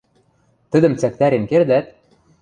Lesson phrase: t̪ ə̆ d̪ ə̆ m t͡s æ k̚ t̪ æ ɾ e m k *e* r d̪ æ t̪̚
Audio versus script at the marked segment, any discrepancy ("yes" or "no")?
no